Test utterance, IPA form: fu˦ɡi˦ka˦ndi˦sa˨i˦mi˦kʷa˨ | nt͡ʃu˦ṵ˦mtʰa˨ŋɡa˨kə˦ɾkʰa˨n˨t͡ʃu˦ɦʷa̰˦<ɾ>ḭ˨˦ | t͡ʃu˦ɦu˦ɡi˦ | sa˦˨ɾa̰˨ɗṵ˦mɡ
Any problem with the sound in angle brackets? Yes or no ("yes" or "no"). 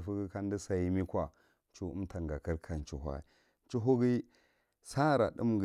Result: yes